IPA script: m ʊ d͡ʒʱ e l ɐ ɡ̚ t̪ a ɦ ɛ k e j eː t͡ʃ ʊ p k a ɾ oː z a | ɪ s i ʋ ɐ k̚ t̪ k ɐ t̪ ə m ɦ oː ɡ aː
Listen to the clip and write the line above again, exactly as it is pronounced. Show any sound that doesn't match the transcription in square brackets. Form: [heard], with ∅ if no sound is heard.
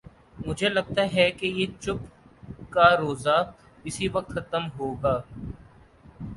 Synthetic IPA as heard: m ʊ d͡ʒʱ e l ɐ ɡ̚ t̪ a ɦ ɛ k e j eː t͡ʃ ʊ p k a ɾ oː z a | ɪ s i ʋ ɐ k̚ t̪ [x] ɐ t̪ ə m ɦ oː ɡ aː